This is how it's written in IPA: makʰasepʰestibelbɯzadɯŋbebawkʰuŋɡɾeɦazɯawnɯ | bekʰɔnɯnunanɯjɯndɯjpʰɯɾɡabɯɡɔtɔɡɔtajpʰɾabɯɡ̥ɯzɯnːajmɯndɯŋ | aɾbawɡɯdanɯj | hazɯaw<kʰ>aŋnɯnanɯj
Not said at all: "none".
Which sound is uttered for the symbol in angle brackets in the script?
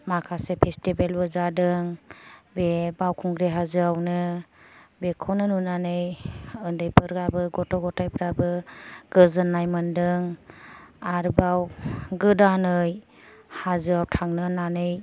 tʰ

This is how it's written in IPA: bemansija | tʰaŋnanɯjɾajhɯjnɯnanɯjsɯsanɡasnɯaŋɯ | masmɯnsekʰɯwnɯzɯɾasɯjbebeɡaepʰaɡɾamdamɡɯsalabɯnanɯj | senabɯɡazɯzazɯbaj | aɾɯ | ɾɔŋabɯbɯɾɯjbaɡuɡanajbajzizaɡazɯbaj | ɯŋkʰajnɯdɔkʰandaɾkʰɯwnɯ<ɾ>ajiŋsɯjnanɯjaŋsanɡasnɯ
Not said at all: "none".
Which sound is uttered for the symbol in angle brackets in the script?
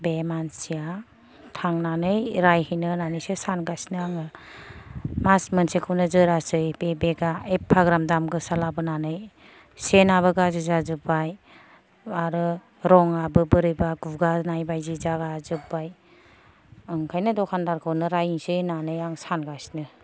ɾ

